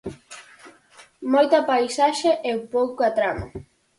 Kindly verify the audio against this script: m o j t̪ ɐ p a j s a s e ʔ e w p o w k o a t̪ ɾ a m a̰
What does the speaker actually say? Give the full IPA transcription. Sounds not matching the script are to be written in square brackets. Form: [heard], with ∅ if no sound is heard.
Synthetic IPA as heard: m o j t̪ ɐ p a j s a [ʃ] e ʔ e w p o w k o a t̪ ɾ a m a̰